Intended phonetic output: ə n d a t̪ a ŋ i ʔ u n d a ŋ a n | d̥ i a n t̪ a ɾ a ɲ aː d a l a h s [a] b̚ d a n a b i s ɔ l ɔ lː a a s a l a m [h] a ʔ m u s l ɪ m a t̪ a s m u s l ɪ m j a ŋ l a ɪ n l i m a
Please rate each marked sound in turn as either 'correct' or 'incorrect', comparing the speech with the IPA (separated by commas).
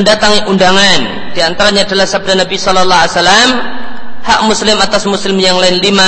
correct, correct